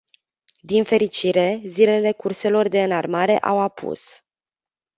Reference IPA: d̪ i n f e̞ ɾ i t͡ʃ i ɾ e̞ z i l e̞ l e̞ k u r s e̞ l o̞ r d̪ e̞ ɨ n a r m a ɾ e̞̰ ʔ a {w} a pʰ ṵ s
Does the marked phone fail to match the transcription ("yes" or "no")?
no